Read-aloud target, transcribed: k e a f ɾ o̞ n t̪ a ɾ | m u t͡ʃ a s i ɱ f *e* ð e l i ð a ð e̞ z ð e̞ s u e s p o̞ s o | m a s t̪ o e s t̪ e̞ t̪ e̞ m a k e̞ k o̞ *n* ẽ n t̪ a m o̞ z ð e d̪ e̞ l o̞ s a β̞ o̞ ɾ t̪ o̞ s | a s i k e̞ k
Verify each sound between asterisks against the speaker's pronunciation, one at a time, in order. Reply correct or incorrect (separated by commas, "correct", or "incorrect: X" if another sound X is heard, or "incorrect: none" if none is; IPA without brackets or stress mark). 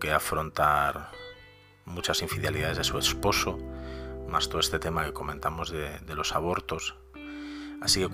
incorrect: i, incorrect: m